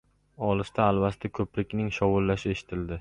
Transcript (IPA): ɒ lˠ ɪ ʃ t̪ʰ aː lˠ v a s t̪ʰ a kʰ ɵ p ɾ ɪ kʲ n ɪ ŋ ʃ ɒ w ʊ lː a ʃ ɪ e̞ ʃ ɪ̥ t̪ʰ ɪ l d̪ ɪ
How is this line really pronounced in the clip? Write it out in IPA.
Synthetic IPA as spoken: ɒ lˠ ɪ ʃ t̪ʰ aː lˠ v a s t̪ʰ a kʰ ɵ p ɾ ɪ kʲ n ɪ ŋ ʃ ɒ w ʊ lː a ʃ ɪ e̞ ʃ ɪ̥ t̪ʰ ɪ l d̪ ɪ